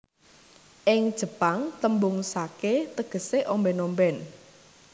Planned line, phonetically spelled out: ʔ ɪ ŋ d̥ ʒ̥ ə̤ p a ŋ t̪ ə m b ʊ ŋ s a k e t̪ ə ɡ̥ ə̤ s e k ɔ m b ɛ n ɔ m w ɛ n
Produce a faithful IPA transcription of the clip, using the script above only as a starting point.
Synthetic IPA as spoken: ʔ ɪ ŋ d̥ ʒ̥ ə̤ p a ŋ t̪ ə m b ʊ ŋ s a k e t̪ ə ɡ̥ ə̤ s e ʔ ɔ m b ɛ n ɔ m b ɛ n